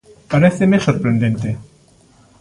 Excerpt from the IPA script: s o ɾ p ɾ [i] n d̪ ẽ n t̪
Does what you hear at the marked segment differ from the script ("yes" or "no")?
yes